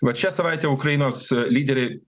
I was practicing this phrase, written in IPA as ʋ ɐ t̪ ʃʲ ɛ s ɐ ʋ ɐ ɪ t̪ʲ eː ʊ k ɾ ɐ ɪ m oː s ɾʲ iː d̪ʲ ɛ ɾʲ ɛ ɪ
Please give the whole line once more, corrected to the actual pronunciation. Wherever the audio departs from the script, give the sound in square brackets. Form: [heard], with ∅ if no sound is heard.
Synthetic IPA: ʋ ɐ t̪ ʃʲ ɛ s ɐ ʋ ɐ ɪ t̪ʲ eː ʊ k ɾ ɐ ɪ [n] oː s [lʲ] iː d̪ʲ ɛ ɾʲ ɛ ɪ